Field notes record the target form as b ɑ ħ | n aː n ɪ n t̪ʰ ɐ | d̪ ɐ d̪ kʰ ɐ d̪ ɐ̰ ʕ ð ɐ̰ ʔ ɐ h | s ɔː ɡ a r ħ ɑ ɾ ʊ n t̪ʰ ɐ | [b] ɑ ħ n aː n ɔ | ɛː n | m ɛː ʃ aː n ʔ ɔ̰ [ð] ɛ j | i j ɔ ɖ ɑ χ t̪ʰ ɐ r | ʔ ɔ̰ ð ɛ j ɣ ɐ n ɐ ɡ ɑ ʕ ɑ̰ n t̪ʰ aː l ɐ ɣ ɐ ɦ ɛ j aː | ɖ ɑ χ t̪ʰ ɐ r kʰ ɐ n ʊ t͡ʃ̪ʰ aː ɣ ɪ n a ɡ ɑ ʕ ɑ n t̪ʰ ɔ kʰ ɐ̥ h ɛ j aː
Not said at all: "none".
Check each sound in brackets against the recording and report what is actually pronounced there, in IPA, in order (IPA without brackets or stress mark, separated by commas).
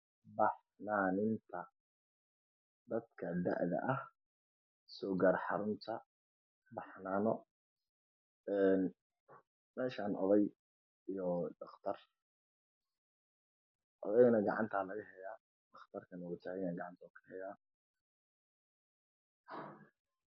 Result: b, ð